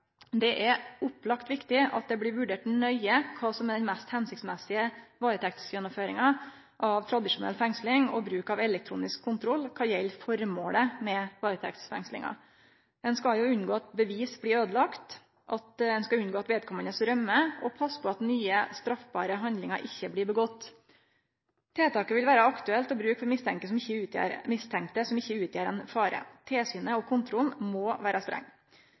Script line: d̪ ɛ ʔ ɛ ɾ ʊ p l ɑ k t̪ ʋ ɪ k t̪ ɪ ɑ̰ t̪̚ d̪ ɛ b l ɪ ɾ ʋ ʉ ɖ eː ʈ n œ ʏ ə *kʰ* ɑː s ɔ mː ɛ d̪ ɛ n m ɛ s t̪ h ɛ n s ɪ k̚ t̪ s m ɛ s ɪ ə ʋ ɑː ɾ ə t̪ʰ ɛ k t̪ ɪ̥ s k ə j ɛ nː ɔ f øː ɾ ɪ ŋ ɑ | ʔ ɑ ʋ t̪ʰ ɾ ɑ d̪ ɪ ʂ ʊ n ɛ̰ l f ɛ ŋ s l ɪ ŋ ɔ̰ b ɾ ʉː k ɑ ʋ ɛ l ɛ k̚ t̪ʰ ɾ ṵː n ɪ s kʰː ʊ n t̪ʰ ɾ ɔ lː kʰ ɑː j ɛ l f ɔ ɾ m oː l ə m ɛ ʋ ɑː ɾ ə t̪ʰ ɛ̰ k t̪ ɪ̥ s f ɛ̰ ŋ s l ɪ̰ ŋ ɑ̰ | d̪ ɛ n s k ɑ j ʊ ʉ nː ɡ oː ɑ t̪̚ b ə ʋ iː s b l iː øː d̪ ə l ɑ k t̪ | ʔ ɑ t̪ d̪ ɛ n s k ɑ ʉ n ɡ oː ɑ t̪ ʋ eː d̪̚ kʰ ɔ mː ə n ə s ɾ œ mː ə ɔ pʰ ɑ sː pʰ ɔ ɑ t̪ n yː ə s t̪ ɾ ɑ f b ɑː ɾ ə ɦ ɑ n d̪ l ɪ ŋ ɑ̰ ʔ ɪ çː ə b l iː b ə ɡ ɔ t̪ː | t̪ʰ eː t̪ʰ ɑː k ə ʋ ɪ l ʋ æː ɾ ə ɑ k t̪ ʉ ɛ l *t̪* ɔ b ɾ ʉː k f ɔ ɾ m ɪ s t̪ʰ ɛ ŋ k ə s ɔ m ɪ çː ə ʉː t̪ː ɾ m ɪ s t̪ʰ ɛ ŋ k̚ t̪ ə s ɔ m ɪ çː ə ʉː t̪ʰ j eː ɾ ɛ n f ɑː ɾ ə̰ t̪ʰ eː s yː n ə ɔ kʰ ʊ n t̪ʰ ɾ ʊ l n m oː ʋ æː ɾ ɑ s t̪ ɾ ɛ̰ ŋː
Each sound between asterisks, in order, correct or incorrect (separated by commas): correct, correct